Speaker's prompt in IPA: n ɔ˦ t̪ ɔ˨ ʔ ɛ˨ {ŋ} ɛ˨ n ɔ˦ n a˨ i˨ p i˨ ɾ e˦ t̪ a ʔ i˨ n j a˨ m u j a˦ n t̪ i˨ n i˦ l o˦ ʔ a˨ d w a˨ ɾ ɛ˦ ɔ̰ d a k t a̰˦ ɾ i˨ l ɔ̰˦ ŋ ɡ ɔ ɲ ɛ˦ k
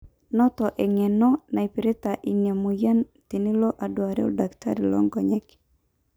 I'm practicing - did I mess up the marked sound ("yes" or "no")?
no